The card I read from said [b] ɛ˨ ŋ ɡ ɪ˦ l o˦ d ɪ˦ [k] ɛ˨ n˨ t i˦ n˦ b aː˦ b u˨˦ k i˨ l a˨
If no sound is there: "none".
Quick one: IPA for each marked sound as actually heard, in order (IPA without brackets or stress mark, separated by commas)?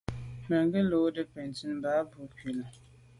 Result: m, p